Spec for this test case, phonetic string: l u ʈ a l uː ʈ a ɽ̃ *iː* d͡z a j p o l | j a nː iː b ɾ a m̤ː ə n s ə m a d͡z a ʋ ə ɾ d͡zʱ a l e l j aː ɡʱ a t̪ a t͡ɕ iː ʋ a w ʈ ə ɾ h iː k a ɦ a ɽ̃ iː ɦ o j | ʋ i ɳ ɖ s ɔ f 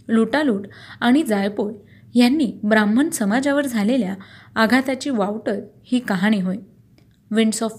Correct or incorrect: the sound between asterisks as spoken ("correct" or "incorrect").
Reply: incorrect